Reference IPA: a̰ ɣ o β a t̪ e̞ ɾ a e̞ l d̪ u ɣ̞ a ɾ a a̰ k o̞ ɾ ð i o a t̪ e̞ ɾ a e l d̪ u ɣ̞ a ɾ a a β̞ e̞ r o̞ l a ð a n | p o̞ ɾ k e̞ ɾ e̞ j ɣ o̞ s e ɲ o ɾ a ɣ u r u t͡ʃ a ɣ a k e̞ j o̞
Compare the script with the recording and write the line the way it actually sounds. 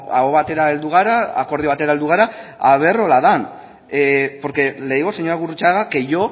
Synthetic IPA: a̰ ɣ o β a t̪ e̞ ɾ a e̞ l d̪ u ɣ̞ a ɾ a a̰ k o̞ ɾ ð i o a t̪ e̞ ɾ a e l d̪ u ɣ̞ a ɾ a a β̞ e̞ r o̞ l a ð a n | p o̞ ɾ k e̞ l e̞ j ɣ o̞ s e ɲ o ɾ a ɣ u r u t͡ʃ a ɣ a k e̞ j o̞